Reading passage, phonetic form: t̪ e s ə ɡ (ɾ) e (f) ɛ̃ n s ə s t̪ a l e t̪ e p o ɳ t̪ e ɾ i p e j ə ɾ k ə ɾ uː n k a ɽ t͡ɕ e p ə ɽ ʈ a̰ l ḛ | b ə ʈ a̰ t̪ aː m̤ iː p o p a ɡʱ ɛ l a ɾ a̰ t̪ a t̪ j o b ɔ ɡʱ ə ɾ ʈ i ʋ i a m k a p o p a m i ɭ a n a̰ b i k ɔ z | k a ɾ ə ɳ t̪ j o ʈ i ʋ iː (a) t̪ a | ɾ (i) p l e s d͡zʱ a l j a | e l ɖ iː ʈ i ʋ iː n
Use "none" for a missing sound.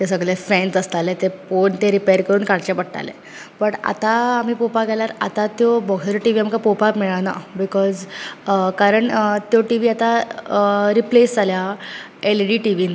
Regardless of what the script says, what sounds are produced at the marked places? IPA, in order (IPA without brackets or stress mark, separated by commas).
ɭ, f, a, i